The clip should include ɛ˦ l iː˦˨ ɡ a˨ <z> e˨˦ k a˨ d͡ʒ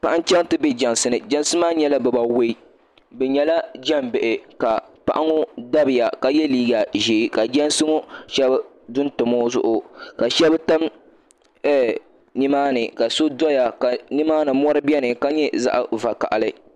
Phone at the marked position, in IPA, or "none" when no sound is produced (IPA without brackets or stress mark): ʒ